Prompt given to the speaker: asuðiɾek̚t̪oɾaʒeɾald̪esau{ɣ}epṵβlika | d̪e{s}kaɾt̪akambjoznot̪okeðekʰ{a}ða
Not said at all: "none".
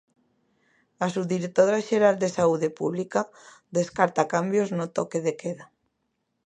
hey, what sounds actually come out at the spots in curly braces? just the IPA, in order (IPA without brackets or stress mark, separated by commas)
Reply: ð, s, e